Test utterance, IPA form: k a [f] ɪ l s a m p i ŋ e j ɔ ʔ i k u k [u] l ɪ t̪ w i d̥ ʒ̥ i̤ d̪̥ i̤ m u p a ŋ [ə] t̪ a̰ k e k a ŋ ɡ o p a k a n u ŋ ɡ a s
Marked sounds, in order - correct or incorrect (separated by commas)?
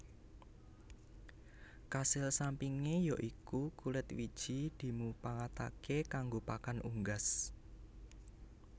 incorrect, correct, incorrect